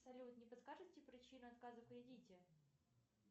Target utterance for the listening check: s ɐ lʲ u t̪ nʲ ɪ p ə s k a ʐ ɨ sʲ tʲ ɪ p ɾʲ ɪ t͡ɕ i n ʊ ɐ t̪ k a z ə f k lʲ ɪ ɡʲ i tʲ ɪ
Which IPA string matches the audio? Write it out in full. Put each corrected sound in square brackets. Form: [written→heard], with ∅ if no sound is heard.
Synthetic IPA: s ɐ lʲ u t̪ nʲ ɪ p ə s k a ʐ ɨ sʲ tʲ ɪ p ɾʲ ɪ t͡ɕ i n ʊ ɐ t̪ k a z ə f k [lʲ→ɾʲ] ɪ [ɡʲ→dʲ] i tʲ ɪ

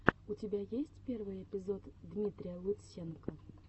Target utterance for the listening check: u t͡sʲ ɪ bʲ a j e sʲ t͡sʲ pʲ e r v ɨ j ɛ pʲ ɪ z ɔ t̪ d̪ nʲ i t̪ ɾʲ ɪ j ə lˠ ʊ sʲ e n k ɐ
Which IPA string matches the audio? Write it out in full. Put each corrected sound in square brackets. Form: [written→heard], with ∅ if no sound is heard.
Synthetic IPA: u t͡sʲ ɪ bʲ a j e sʲ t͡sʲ pʲ e r v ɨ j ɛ pʲ ɪ z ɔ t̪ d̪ [nʲ→mʲ] i t̪ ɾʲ ɪ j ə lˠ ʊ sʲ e n k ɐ

